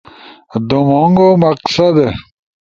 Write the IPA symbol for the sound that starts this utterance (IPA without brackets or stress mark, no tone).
d̪